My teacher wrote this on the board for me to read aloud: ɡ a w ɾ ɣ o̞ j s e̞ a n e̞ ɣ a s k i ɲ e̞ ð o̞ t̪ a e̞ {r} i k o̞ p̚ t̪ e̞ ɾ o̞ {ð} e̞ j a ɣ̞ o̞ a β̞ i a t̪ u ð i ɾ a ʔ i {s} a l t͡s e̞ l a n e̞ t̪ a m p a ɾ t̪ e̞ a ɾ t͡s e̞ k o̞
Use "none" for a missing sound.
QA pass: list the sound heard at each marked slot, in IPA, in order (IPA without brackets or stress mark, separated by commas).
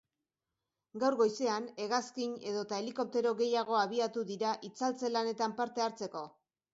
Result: l, ɣ, t͡s